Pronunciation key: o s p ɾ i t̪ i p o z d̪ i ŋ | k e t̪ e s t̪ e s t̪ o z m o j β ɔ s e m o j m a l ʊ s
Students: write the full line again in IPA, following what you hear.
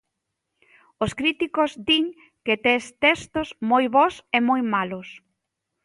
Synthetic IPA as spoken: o s k ɾ i t̪ i k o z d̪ i ŋ | k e t̪ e s t̪ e s t̪ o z m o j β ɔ s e m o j m a l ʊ s